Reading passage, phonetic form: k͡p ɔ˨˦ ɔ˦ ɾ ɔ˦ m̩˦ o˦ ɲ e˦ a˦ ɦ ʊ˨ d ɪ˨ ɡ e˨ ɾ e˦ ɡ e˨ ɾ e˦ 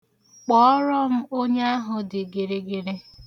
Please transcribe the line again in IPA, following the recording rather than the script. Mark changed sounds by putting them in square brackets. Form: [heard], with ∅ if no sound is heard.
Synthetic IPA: k͡p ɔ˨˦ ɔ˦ ɾ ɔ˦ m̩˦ o˦ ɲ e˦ a˦ ɦ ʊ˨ d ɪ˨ ɡ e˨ ɾ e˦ ɡ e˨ ɾ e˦